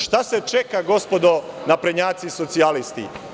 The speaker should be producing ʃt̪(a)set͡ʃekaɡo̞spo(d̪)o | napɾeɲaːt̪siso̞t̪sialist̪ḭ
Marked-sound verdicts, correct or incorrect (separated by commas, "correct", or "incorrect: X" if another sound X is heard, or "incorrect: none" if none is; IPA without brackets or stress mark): correct, correct